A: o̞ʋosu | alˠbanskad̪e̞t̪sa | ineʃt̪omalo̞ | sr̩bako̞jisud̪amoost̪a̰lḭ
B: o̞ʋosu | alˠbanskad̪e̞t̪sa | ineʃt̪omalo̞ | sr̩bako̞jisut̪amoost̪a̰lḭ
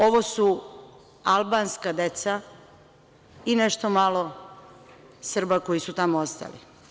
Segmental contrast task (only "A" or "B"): B